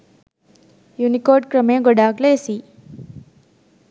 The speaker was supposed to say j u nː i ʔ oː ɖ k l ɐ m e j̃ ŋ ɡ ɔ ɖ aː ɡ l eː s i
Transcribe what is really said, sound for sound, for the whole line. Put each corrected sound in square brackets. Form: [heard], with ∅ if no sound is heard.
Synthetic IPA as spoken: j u [n] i [k] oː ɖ k [ɾ] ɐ m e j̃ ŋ ɡ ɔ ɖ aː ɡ l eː s i